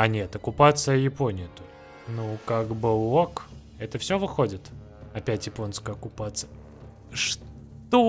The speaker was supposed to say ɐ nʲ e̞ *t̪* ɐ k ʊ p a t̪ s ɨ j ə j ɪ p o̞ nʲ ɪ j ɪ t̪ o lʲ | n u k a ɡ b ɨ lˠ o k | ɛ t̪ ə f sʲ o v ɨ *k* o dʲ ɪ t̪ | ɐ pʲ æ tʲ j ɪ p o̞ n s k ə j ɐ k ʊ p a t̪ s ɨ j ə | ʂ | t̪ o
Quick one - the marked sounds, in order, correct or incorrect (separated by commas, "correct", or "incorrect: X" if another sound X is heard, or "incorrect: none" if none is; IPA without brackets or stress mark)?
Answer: correct, incorrect: x